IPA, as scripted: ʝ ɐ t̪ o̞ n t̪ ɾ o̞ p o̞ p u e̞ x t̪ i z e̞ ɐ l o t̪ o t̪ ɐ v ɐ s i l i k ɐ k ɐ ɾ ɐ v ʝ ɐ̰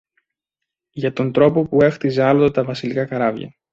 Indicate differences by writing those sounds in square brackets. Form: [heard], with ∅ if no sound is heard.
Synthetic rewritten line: ʝ ɐ t̪ o̞ n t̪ ɾ o̞ p o̞ p u e̞ x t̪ i z e̞ ɐ l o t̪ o t̪ ɐ v ɐ s i l i k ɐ k ɐ ɾ ɐ v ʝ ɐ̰